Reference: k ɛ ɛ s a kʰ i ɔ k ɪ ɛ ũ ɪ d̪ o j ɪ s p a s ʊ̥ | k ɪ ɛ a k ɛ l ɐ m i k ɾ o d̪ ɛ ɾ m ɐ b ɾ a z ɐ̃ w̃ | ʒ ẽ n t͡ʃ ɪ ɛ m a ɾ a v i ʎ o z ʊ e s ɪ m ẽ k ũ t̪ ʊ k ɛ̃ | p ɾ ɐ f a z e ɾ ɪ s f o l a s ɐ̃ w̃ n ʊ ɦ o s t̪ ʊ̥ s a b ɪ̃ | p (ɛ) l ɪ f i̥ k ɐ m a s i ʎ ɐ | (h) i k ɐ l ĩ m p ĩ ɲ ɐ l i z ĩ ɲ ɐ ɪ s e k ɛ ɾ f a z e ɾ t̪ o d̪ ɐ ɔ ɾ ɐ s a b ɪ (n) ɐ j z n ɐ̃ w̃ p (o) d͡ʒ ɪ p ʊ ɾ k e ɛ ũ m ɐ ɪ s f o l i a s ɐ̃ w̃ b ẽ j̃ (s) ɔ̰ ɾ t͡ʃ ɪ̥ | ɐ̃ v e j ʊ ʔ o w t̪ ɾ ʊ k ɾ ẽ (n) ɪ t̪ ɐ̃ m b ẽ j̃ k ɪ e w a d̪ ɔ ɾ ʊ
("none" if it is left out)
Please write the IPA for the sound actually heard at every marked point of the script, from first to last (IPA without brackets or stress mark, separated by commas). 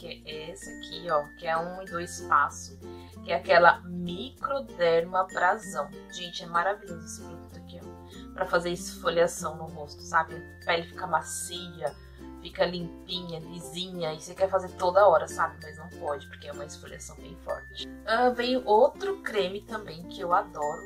ɛ, f, m, ɔ, f, m